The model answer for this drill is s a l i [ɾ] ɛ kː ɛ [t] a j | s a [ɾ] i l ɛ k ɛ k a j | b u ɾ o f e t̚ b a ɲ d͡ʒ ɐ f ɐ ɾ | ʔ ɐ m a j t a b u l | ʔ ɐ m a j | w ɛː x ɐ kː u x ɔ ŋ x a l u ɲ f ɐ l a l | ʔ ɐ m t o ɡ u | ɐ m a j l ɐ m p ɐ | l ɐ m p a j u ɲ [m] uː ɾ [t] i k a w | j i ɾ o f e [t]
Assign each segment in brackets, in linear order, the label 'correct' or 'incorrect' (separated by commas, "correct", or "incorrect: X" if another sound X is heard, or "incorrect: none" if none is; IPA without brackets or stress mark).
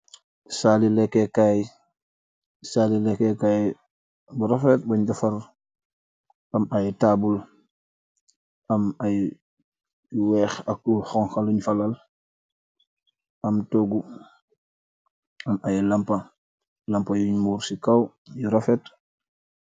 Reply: incorrect: l, incorrect: k, incorrect: l, correct, incorrect: s, correct